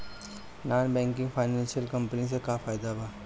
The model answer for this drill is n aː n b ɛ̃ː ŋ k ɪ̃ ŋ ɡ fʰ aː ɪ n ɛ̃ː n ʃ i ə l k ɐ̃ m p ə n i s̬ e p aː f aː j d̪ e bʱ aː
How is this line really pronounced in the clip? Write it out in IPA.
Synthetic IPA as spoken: n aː n b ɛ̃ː ŋ k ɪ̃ ŋ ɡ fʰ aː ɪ n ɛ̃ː n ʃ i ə l k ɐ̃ m p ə n i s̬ e k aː f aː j d̪ a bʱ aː